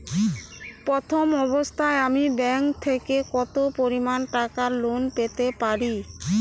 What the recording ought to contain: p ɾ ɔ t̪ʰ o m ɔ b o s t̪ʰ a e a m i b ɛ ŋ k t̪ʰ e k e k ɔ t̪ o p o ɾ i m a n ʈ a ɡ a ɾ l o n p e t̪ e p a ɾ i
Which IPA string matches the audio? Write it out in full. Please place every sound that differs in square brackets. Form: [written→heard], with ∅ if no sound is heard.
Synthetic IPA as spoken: p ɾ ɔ t̪ʰ o m ɔ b o s t̪ʰ a e a m i b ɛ ŋ k t̪ʰ e k e k ɔ t̪ o p o ɾ i m a n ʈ a [ɡ→k] a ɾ l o n p e t̪ e p a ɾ i